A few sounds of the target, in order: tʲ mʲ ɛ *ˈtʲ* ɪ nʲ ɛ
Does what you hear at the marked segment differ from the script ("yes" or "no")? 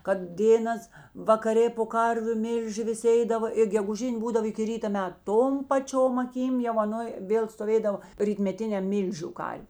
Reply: no